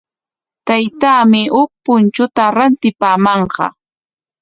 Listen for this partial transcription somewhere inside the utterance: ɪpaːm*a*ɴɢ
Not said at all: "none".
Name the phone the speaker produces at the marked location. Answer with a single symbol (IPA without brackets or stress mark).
ɑ